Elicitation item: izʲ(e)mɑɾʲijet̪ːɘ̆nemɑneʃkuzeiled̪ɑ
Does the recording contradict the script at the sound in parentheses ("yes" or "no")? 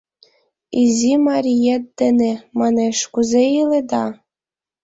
yes